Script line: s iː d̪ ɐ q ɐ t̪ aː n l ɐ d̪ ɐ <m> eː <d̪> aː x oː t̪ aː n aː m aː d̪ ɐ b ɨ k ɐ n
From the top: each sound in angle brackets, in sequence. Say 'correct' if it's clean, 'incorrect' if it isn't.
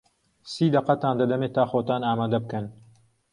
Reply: correct, incorrect: t̪

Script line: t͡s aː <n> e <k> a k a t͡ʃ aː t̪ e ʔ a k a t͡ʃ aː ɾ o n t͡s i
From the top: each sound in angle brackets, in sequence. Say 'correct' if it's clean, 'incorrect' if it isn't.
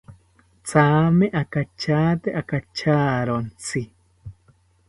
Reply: incorrect: m, incorrect: ʔ

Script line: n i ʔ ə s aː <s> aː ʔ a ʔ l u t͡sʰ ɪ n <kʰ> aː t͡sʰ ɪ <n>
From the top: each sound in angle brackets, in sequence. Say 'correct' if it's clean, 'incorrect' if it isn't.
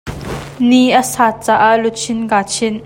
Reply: incorrect: t͡s, incorrect: k, correct

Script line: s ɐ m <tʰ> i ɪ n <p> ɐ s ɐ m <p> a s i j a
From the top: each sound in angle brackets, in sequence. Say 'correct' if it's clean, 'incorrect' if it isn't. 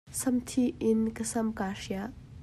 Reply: correct, incorrect: k, incorrect: k

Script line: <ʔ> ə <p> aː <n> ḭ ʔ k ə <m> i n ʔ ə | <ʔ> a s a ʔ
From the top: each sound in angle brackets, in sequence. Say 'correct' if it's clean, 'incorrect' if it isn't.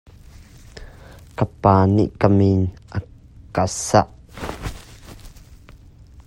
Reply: incorrect: k, correct, correct, correct, incorrect: k

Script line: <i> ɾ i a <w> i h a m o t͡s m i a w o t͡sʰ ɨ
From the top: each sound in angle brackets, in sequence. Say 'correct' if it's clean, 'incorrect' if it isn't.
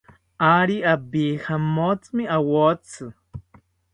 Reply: incorrect: a, incorrect: b

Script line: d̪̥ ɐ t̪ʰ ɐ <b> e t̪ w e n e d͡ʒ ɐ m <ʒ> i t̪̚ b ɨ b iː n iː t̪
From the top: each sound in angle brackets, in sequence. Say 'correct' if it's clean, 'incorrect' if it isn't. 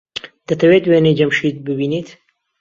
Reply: incorrect: w, incorrect: ʃ

